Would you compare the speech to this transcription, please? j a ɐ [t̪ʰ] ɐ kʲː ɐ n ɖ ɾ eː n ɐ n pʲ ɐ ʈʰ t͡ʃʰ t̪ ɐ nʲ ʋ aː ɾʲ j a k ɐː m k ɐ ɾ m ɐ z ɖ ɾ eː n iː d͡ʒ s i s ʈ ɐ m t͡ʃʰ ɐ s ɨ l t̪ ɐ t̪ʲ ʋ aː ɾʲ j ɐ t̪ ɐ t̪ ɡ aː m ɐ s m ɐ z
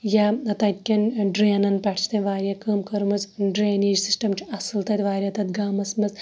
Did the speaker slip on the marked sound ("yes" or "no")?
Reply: yes